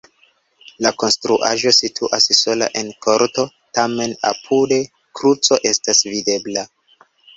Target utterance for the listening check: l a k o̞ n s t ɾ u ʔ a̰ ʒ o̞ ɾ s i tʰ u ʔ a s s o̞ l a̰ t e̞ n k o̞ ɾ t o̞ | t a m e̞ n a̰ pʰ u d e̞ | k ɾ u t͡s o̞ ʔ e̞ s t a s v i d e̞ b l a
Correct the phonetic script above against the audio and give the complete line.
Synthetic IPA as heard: l a k o̞ n s t ɾ u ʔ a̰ ʒ o̞ s i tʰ u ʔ a s s o̞ l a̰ ʔ e̞ n k o̞ ɾ t o̞ | t a m e̞ n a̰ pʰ u d e̞ | k ɾ u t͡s o̞ ʔ e̞ s t a s v i d e̞ b l a